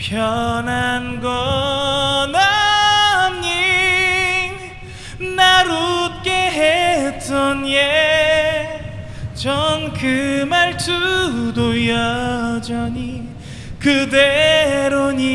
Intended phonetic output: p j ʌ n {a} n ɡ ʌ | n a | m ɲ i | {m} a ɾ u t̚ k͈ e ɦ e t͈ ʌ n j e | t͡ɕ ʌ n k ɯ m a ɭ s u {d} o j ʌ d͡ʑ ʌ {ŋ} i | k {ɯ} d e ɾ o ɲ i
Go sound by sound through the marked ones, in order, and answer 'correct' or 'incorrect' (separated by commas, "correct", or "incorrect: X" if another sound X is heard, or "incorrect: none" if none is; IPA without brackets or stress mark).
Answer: correct, incorrect: n, correct, incorrect: ɲ, correct